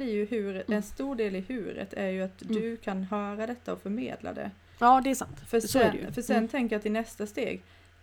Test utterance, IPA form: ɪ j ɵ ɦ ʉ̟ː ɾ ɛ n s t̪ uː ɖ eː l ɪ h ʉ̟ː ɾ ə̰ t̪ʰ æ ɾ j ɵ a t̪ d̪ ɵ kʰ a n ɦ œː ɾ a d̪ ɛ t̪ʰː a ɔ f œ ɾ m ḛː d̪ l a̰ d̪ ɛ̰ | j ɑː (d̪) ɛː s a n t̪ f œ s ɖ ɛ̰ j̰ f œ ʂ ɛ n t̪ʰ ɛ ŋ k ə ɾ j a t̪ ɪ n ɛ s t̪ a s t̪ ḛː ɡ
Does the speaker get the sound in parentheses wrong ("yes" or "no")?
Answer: no